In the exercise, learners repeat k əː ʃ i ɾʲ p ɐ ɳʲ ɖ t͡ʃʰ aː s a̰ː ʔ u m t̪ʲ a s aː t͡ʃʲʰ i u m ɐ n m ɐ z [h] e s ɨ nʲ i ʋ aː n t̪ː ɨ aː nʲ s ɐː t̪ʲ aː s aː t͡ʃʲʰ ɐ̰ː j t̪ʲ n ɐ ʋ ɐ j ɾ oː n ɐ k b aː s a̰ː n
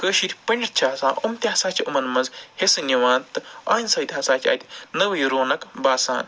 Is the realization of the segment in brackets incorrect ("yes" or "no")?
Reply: no